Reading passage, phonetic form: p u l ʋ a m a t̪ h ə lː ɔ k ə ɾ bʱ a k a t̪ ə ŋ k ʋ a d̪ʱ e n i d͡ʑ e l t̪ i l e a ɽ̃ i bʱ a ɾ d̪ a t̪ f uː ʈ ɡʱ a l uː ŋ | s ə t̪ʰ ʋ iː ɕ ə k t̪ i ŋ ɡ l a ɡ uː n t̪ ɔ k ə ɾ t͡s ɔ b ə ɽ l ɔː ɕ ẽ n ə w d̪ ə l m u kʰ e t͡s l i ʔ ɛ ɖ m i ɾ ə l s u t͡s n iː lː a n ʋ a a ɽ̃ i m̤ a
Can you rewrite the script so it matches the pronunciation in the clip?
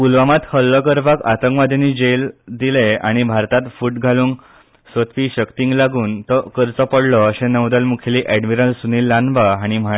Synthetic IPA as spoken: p u l ʋ a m a t̪ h ə lː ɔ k ə ɾ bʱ a k a t̪ ə ŋ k ʋ a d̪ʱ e n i d͡ʑ e l d̪ i l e a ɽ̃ i bʱ a ɾ t̪ a t̪ f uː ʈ ɡʱ a l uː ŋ | s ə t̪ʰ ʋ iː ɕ ə k t̪ i ŋ ɡ l a ɡ uː n t̪ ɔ k ə ɾ t͡s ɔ p ə ɽ l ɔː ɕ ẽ n ə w d̪ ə l m u kʰ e l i ʔ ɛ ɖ m i ɾ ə l s u n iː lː a n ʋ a a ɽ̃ i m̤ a